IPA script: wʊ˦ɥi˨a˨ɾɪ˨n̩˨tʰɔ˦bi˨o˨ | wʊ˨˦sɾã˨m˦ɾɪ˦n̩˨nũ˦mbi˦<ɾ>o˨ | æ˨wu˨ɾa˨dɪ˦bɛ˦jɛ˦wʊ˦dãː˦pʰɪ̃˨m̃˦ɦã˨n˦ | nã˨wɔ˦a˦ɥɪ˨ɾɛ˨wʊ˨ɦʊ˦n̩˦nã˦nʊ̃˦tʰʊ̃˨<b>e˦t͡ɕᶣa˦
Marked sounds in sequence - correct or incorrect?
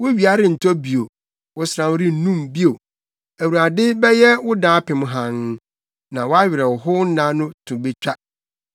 incorrect, correct

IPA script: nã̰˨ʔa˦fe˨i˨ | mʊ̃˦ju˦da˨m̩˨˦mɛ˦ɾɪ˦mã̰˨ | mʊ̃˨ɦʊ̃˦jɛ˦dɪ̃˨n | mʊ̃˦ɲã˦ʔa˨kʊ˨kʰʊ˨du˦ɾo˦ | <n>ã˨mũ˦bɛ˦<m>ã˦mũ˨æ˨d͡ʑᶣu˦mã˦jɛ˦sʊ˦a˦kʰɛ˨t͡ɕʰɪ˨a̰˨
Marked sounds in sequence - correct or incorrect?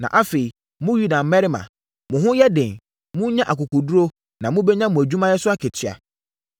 correct, incorrect

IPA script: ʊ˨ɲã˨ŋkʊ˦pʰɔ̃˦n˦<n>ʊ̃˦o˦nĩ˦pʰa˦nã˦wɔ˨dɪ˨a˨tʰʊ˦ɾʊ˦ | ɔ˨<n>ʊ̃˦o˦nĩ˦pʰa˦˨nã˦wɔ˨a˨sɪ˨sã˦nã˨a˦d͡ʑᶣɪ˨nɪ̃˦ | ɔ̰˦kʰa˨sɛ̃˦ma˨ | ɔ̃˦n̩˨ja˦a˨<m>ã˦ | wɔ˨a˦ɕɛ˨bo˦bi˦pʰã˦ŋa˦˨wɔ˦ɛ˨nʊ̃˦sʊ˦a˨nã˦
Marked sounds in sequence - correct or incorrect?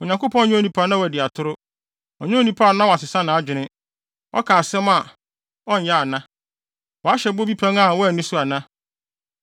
incorrect, incorrect, incorrect

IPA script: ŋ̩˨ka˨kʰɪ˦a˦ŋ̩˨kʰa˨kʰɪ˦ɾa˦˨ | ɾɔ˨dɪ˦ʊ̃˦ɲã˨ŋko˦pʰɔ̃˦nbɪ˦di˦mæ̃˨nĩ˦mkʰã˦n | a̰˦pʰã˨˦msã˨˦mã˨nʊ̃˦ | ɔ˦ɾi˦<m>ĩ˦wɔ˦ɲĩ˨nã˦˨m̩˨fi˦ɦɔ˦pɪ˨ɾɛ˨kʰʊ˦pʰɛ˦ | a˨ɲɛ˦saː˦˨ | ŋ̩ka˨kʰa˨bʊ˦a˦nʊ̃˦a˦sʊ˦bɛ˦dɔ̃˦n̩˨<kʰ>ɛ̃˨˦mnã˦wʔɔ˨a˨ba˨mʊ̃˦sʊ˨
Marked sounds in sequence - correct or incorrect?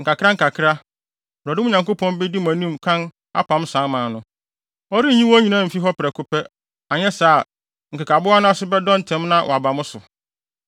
incorrect, incorrect

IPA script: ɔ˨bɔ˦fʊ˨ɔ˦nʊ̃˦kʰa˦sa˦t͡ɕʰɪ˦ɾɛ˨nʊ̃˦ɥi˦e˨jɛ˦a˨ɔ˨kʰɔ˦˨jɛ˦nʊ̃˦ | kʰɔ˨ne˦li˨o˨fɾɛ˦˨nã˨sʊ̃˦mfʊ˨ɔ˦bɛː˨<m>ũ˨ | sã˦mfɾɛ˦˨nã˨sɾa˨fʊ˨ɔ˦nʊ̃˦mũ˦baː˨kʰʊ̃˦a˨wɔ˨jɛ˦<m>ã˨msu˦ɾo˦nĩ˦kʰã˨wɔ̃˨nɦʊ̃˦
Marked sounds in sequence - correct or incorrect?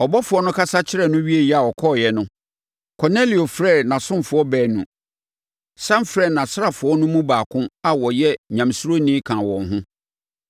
incorrect, incorrect

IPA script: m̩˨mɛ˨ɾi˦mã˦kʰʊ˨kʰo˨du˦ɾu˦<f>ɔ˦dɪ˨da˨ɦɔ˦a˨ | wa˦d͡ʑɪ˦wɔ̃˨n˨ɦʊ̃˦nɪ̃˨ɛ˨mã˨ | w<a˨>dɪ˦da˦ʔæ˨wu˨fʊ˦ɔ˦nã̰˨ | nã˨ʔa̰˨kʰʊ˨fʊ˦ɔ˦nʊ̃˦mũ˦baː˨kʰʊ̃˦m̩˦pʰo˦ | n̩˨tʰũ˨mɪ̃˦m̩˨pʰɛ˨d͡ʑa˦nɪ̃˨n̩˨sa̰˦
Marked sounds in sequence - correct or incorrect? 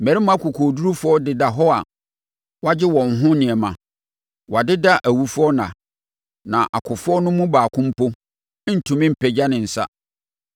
correct, correct

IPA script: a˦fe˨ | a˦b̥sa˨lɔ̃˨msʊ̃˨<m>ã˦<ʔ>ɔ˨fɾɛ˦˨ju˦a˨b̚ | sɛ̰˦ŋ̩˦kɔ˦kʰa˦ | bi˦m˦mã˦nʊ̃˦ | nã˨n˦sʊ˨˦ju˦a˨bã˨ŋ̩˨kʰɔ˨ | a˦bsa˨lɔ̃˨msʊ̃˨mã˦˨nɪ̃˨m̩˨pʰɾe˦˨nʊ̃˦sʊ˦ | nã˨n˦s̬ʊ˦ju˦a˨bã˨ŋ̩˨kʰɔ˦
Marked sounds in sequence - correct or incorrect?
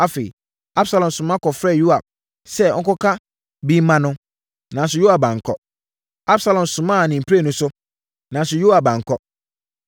correct, incorrect

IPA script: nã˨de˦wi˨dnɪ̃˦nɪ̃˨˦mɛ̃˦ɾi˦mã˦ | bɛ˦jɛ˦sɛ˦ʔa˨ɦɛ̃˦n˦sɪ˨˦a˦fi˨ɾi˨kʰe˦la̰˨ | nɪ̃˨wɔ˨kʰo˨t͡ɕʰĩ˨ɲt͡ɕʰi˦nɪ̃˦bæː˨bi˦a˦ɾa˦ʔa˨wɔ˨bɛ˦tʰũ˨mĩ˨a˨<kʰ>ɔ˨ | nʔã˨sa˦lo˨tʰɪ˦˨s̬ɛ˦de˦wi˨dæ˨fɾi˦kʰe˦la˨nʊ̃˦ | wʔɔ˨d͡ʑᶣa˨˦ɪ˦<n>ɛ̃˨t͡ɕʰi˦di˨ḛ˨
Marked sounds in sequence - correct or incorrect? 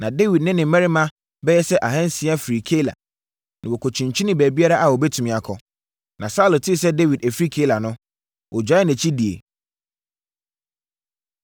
correct, correct

